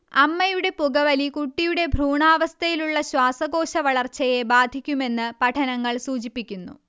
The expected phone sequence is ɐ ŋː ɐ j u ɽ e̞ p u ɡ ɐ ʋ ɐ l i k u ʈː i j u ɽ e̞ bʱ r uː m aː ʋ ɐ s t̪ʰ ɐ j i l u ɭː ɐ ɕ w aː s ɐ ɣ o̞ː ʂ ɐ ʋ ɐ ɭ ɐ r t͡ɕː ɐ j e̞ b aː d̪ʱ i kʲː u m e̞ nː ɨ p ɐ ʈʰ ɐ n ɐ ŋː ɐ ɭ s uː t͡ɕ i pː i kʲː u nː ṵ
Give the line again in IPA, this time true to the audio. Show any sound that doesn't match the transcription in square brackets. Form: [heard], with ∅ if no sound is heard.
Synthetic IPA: ɐ [mː] ɐ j u ɽ e̞ p u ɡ ɐ ʋ ɐ l i k u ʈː i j u ɽ e̞ bʱ r uː [ɳ] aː ʋ ɐ s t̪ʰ ɐ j i l u ɭː ɐ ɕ w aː s ɐ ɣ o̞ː [ɕ] ɐ ʋ ɐ ɭ ɐ r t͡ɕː ɐ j e̞ b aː d̪ʱ i kʲː u m e̞ nː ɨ p ɐ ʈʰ ɐ n ɐ ŋː ɐ ɭ s uː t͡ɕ i pː i kʲː u nː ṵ

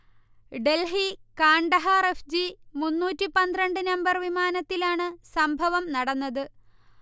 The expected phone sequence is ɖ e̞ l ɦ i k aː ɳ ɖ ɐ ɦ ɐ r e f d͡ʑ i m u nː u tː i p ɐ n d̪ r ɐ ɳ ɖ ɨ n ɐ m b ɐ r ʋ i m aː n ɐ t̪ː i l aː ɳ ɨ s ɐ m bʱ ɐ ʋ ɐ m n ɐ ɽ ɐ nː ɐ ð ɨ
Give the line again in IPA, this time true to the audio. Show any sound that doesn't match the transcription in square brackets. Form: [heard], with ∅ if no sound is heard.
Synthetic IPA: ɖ e̞ l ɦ i k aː ɳ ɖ ɐ ɦ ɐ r e f d͡ʑ i m u nː [uː] tː i p ɐ n d̪ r ɐ ɳ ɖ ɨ n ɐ m b ɐ r ʋ i m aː n ɐ t̪ː i l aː ɳ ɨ s ɐ m bʱ ɐ ʋ ɐ m n ɐ ɽ ɐ nː ɐ ð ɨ

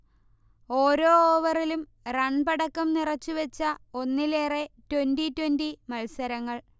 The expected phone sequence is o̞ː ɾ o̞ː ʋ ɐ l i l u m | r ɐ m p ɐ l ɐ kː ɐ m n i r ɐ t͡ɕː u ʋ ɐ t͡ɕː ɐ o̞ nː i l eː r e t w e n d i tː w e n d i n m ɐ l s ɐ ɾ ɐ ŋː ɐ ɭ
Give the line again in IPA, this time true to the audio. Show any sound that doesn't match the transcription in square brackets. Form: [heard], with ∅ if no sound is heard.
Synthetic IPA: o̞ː ɾ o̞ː ʋ ɐ [r] i l u m | r ɐ [ɳ] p ɐ [ɽ] ɐ kː ɐ m n i r ɐ t͡ɕː u ʋ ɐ t͡ɕː ɐ o̞ nː i l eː r e t w e n d i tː w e n d i [∅] m ɐ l s ɐ ɾ ɐ ŋː ɐ ɭ

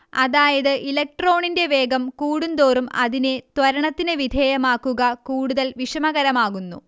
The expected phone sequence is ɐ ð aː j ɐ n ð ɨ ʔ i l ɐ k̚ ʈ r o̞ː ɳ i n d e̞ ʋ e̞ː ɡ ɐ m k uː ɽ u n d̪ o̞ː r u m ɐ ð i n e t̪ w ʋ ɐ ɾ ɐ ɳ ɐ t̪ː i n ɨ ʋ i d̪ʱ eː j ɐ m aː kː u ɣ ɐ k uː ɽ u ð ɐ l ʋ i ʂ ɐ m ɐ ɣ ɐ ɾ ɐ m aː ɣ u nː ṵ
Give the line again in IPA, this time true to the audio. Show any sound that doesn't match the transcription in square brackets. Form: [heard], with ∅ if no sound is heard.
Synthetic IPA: ɐ ð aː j ɐ [∅] ð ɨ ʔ i l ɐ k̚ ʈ r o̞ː ɳ i n d e̞ ʋ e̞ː ɡ ɐ m k uː ɽ u n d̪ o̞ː r u m ɐ ð i n e t̪ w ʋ ɐ ɾ ɐ ɳ ɐ t̪ː i n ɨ ʋ i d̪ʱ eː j ɐ m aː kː u ɣ ɐ k uː ɽ u ð ɐ l ʋ i ʂ ɐ m ɐ ɣ ɐ ɾ ɐ m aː ɣ u nː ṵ

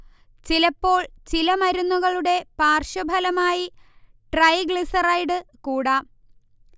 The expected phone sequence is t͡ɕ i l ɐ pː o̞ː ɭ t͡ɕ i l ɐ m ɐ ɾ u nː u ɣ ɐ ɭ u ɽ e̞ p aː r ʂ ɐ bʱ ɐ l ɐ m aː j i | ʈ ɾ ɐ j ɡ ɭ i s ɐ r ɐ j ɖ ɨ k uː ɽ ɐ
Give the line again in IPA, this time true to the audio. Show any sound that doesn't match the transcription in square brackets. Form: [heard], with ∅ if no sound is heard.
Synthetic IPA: t͡ɕ i l ɐ pː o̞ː ɭ t͡ɕ i l ɐ m ɐ ɾ u nː u ɣ ɐ ɭ u ɽ e̞ p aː r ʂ ɐ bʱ ɐ l ɐ m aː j i | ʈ [r] ɐ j ɡ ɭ i s ɐ r ɐ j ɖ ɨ k uː ɽ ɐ

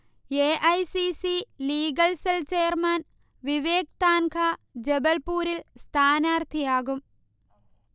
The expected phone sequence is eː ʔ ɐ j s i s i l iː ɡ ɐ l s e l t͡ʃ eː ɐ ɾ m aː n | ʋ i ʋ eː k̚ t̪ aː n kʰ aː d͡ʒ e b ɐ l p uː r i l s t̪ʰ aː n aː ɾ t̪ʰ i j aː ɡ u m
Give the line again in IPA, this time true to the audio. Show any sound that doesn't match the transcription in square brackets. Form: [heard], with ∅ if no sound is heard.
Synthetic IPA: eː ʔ ɐ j s i s i l iː ɡ ɐ l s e l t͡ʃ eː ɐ ɾ m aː n | ʋ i ʋ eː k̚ t̪ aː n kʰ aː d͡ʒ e b ɐ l p uː [ɾ] i l s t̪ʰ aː n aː ɾ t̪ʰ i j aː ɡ u m

